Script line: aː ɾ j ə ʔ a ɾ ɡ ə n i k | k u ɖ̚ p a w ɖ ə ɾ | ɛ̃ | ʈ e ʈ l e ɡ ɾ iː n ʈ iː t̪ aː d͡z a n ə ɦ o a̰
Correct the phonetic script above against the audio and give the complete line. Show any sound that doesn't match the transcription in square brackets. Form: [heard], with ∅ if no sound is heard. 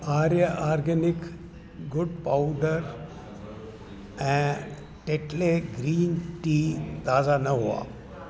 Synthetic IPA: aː ɾ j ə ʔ a ɾ ɡ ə n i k | [ɡ] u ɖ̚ p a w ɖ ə ɾ | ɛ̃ | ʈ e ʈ l e ɡ ɾ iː n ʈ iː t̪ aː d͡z a n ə ɦ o a̰

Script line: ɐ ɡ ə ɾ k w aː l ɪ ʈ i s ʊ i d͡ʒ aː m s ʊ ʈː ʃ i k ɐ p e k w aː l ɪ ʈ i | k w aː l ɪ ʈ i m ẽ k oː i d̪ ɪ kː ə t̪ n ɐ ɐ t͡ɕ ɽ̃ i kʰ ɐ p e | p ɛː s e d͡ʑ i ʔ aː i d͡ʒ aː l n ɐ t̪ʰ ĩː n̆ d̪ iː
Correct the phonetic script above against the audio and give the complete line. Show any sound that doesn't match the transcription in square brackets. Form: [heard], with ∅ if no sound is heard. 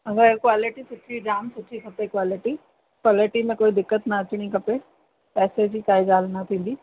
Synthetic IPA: ɐ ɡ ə ɾ k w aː l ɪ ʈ i s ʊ i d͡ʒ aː m s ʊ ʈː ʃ i k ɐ p e k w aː l ɪ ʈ i | k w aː l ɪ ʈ i m ẽ k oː i d̪ ɪ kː ə t̪ n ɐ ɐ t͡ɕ ɽ̃ i [k] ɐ p e | p ɛː s e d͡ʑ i [k] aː i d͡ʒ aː l n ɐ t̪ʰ ĩː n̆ d̪ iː

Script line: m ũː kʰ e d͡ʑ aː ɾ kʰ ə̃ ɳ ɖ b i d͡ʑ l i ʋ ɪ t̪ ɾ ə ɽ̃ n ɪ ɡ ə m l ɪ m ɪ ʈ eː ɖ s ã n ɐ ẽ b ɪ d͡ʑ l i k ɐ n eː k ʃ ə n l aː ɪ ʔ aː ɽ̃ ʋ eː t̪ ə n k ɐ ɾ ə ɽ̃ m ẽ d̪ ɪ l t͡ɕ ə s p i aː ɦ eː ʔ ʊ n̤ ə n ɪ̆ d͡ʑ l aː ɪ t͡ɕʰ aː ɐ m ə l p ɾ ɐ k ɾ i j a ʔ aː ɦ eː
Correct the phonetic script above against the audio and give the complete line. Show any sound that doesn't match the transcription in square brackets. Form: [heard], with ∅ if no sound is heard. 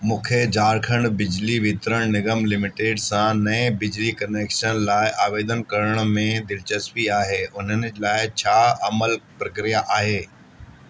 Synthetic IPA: m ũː kʰ e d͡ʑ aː ɾ kʰ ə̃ ɳ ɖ b [ɪ] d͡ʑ l i ʋ ɪ t̪ ɾ ə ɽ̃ n ɪ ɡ ə m l ɪ m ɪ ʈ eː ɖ s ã n ɐ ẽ b ɪ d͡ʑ l i k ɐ n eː k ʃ ə n l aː ɪ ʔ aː [∅] ʋ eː [d̪] ə n k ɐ ɾ ə ɽ̃ m ẽ d̪ ɪ l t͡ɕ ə s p i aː ɦ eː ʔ ʊ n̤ ə n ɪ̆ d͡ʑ l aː ɪ t͡ɕʰ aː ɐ m ə l p ɾ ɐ k ɾ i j a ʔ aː ɦ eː

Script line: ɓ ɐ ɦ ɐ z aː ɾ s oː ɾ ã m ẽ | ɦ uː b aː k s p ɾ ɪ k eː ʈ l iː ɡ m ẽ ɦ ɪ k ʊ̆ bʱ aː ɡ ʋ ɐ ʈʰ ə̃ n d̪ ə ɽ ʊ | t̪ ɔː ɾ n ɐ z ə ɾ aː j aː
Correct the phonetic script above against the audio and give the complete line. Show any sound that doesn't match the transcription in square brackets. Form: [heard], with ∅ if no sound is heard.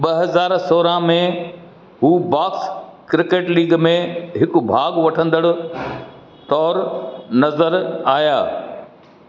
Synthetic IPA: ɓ ɐ ɦ ɐ z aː ɾ s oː ɾ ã m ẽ | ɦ uː b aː k s [k] ɾ ɪ k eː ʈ l iː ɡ m ẽ ɦ ɪ k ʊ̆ bʱ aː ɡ ʋ ɐ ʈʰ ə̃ n d̪ ə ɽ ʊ | t̪ ɔː ɾ n ɐ z ə ɾ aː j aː

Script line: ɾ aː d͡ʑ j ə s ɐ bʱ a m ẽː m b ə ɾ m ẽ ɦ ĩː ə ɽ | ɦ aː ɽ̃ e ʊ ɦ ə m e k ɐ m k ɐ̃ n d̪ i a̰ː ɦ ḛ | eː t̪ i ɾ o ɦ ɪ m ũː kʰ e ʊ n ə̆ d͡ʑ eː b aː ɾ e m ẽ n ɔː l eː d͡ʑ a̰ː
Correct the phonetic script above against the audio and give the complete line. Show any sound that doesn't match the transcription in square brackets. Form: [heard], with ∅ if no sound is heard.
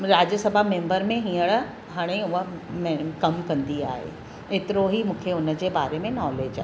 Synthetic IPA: ɾ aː d͡ʑ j ə s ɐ bʱ a m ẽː m b ə ɾ m ẽ ɦ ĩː ə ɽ | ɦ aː ɽ̃ e ʊ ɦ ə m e k ɐ m k ɐ̃ n d̪ i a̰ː ɦ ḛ | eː t̪ [ɪ] ɾ o ɦ [i] m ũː kʰ e ʊ n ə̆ d͡ʑ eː b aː ɾ e m ẽ n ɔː l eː d͡ʑ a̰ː

